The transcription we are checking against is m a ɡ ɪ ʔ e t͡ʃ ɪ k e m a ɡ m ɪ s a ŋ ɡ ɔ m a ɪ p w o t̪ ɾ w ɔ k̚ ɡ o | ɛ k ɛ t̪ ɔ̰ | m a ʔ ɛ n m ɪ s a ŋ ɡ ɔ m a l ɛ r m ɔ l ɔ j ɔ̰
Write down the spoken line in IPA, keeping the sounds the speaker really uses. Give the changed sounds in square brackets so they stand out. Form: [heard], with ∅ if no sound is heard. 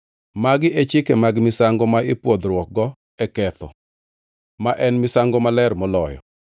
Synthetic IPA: m a ɡ ɪ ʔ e t͡ʃ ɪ k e m a ɡ m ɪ s a ŋ ɡ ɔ m a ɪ p w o [d̪] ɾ w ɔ k̚ ɡ [ɔ] | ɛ k ɛ t̪ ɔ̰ | m a ʔ ɛ n m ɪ s a ŋ ɡ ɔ m a l ɛ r m ɔ l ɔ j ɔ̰

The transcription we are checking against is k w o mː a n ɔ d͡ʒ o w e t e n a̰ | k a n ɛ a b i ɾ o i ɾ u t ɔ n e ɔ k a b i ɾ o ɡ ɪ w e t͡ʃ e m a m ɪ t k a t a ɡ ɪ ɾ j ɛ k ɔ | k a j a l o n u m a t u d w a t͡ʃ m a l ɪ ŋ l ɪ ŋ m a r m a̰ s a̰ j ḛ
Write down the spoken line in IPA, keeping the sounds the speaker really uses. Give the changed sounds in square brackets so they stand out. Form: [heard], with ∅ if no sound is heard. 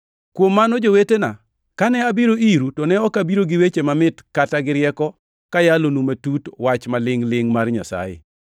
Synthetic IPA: k w o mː a n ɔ d͡ʒ o w e t e n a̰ | k a n ɛ a b i ɾ o i ɾ u t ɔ n [ɛ] ɔ k a b i ɾ o ɡ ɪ w e t͡ʃ e m a m ɪ t k a t a ɡ ɪ ɾ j ɛ k ɔ | k a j a l o n u m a t u [t] w a t͡ʃ m a l ɪ ŋ l ɪ ŋ m a r [ɲ] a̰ s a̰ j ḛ

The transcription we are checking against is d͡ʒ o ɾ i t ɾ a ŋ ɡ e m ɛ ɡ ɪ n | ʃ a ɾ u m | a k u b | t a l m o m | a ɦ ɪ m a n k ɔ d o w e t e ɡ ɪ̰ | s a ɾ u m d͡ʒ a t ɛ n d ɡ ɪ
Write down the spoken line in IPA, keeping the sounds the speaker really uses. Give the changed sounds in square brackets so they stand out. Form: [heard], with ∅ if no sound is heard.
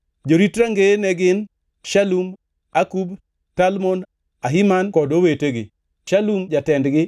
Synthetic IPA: d͡ʒ o ɾ i t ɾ a ŋ ɡ e [n] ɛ ɡ ɪ n | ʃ a [l] u m | a k u b | t a l m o [n] | a ɦ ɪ m a n k ɔ d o w e t e ɡ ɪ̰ | [ʃ] a [l] u m d͡ʒ a t ɛ n d ɡ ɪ

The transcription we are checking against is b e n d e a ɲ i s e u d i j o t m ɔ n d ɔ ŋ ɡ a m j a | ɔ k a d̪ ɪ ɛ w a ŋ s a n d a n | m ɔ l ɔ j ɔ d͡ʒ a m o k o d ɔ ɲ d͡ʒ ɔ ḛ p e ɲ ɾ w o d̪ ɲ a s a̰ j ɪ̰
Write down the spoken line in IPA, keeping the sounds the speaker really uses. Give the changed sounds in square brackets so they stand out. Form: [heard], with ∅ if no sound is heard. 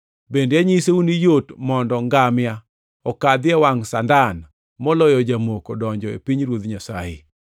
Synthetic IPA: b e n d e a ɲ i s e u [n] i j o t m ɔ n d ɔ ŋ ɡ a m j a | ɔ k a d̪ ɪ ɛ w a ŋ s a n d a n | m ɔ l ɔ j ɔ d͡ʒ a m o k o d ɔ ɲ d͡ʒ ɔ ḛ p [i] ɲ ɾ w o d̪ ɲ a s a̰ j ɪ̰

